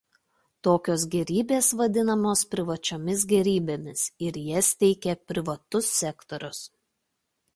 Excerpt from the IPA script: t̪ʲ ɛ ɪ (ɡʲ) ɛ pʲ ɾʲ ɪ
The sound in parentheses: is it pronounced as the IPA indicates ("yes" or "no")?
no